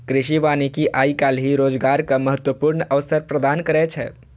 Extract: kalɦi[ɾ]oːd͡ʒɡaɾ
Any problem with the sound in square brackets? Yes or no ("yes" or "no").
no